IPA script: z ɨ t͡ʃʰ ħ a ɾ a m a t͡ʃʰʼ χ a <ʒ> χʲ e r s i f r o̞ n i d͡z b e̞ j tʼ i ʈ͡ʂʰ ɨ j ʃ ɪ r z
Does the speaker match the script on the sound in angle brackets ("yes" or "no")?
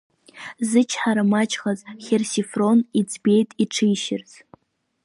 no